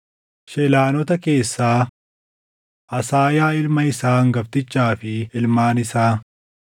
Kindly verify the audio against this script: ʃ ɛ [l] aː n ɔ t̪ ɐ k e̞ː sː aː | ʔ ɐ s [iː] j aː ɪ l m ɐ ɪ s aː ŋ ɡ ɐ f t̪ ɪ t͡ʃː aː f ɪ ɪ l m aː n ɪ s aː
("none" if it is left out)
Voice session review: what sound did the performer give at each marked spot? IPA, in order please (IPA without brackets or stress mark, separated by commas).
l, aː